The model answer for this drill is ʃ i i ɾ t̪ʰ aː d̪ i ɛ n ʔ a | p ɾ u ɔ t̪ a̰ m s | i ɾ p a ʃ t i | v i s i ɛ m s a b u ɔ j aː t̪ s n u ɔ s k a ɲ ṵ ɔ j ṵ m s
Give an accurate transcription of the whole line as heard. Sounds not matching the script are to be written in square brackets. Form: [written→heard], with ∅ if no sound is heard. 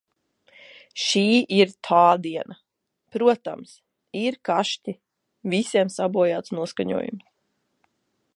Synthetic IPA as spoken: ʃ [i→iː] i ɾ t̪ʰ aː d̪ i ɛ n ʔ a | p ɾ u ɔ t̪ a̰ m s | i ɾ [p→k] a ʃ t i | v i s i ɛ m s a b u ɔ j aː t̪ s n u ɔ s k a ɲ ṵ ɔ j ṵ m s